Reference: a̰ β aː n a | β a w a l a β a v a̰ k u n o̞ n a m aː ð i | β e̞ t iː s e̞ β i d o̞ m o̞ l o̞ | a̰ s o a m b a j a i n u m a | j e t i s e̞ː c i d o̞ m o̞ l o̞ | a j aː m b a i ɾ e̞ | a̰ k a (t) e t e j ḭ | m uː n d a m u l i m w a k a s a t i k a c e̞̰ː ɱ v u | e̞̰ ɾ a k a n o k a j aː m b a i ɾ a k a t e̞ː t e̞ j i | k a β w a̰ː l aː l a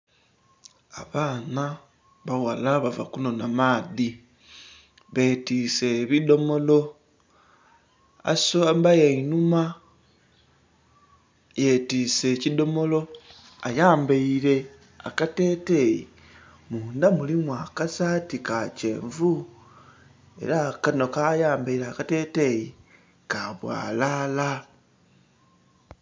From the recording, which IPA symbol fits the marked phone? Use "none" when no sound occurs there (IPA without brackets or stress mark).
t